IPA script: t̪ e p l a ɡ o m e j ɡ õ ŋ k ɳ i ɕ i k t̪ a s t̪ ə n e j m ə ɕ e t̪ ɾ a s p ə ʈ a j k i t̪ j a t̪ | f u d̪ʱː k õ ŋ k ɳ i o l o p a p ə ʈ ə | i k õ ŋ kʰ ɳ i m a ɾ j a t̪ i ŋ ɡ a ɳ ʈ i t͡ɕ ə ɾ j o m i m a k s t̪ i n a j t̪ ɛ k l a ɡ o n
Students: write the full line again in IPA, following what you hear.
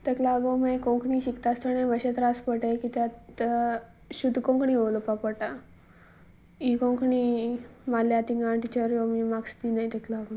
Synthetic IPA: t̪ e k l a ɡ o m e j k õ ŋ k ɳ i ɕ i k t̪ a s t̪ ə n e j m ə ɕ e t̪ ɾ a s p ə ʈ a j k i t̪ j a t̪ | ɕ u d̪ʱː k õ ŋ k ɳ i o l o p a p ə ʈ a | i k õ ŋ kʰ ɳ i m a l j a t̪ i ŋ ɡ a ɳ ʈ i t͡ɕ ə ɾ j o m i m a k s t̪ i n a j t̪ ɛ k l a ɡ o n